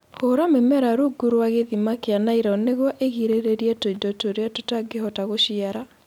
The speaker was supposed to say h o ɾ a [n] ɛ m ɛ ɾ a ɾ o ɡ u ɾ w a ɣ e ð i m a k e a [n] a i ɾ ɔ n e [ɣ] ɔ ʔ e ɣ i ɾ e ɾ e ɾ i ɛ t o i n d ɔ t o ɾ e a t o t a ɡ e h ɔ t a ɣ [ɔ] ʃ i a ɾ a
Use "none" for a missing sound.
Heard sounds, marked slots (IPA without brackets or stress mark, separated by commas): m, n, ɣ, o